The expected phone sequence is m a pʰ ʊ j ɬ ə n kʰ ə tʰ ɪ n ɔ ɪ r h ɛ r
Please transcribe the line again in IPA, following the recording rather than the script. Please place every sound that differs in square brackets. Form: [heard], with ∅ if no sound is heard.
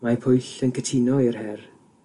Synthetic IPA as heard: m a pʰ ʊ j ɬ ə n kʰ ə tʰ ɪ n ɔ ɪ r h ɛ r